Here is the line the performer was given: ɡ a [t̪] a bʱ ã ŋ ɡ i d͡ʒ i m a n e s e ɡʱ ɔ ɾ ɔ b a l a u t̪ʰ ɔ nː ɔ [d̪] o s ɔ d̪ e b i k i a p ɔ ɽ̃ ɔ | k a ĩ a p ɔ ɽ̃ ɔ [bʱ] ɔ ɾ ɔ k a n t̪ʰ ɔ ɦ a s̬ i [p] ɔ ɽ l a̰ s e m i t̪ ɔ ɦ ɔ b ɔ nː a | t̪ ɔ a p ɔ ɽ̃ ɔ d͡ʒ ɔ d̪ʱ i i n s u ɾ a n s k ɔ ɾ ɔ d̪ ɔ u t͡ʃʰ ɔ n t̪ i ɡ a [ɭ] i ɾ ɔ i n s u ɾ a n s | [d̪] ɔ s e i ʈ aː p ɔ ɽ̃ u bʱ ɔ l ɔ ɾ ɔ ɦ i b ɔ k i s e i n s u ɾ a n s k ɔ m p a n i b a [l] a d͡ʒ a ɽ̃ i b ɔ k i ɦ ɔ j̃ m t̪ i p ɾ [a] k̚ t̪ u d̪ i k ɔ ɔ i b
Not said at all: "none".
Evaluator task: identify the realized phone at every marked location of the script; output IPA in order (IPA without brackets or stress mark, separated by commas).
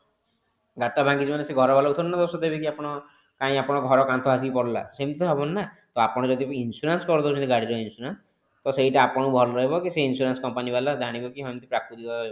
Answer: t̪, d̪, ɡʱ, p, ɽ, t̪, l, a